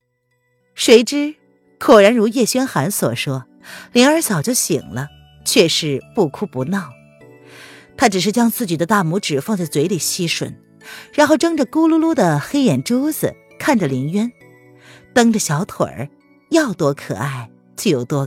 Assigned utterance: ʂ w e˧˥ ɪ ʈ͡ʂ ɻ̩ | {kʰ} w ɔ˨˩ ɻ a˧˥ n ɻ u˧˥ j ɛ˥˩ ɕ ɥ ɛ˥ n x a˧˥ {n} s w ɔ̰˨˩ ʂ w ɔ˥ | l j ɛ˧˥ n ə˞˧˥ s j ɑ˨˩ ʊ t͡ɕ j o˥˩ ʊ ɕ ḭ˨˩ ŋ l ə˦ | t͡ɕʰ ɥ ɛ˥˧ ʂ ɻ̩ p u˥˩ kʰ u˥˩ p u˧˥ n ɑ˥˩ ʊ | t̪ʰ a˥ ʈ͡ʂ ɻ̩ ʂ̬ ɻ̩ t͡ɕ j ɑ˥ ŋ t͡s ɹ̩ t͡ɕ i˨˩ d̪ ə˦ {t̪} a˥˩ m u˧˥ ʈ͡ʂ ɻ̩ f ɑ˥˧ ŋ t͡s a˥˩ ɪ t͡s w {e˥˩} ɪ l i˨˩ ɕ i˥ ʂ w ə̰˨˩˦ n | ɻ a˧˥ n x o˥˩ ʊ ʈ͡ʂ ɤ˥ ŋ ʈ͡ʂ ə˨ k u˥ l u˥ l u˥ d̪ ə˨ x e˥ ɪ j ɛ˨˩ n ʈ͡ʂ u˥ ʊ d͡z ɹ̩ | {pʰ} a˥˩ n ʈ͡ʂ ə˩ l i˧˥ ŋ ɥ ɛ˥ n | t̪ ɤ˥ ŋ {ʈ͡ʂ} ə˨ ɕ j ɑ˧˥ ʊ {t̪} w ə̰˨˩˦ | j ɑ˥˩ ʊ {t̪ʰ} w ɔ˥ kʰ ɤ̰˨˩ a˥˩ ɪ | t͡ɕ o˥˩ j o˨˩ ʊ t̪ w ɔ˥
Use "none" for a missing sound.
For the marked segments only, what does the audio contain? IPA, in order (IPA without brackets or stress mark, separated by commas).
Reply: kʰ, n, t̪, e˧˥, kʰ, ʈ͡ʂ, t̪ʰ, t̪